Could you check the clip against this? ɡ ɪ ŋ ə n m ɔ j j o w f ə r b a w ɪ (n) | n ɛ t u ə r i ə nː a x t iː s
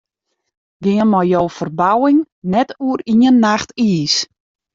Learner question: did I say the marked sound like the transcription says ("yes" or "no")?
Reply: no